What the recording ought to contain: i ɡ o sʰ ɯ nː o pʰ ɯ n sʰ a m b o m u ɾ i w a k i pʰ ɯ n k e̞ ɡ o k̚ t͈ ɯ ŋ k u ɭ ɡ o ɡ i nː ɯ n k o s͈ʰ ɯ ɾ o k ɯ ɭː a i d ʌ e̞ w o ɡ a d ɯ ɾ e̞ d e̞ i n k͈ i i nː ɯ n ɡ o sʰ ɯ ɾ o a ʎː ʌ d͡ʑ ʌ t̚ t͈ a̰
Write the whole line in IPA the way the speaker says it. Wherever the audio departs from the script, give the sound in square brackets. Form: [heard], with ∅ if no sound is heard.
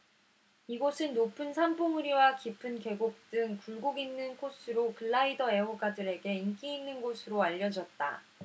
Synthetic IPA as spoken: i ɡ o sʰ ɯ nː o pʰ ɯ n sʰ a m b o [ŋ] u ɾ i w a k i pʰ ɯ n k e̞ ɡ o k̚ t͈ ɯ ŋ k u ɭ ɡ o ɡ i nː ɯ n [kʰ] o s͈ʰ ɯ ɾ o k ɯ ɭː a i d ʌ e̞ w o ɡ a d ɯ ɾ e̞ [ɡ] e̞ i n k͈ i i nː ɯ n ɡ o sʰ ɯ ɾ o a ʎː ʌ d͡ʑ ʌ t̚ t͈ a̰